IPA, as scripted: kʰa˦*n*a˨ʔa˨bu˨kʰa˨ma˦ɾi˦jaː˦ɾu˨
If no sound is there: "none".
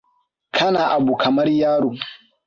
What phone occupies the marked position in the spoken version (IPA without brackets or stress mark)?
n